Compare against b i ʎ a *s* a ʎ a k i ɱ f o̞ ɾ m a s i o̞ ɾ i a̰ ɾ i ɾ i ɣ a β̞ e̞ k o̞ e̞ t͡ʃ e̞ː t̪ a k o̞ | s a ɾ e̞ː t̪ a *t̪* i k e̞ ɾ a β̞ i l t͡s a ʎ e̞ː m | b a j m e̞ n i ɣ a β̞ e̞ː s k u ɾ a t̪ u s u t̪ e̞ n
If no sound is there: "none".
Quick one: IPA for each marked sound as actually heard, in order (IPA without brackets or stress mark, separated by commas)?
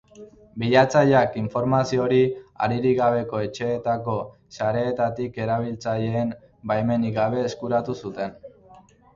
t͡s, t̪